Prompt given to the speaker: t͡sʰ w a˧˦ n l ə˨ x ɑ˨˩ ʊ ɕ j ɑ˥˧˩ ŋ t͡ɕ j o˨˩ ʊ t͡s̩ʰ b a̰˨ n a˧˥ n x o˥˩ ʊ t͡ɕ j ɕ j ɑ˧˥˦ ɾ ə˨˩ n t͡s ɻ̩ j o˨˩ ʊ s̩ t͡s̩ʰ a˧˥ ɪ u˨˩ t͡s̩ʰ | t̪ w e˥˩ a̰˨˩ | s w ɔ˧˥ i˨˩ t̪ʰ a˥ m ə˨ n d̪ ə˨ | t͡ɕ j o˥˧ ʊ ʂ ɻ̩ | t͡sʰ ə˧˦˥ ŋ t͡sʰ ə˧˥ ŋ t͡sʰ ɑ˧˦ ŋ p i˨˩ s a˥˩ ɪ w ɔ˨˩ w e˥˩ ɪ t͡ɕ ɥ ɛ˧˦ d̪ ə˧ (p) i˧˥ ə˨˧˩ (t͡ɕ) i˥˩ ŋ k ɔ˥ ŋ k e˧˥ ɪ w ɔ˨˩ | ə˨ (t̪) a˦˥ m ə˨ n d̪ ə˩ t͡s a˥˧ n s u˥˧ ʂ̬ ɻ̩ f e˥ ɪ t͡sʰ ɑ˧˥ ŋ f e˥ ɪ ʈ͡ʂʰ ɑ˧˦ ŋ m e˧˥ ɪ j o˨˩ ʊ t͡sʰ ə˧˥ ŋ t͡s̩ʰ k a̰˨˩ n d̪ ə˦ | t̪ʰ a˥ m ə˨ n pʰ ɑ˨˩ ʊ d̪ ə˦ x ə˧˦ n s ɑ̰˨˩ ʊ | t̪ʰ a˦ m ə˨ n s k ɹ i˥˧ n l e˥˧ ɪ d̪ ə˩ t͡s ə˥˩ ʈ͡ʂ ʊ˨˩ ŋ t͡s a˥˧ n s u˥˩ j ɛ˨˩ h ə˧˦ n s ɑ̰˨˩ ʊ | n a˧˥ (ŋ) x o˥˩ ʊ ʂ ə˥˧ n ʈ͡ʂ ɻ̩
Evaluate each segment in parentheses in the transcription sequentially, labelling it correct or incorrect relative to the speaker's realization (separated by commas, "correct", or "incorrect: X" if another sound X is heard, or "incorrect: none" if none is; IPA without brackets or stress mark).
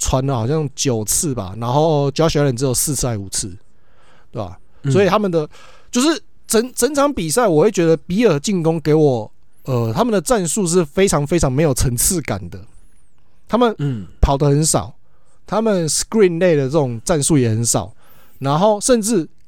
correct, correct, incorrect: t̪ʰ, incorrect: n